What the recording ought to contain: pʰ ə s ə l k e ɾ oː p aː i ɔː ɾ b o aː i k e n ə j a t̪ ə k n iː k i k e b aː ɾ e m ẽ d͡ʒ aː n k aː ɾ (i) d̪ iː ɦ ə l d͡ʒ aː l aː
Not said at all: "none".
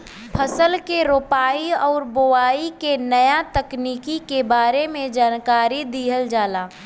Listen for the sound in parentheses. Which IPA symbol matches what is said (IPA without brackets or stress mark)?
i